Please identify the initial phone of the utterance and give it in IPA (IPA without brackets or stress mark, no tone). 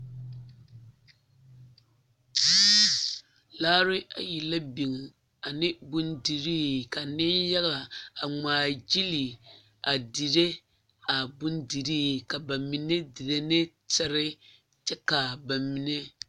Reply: l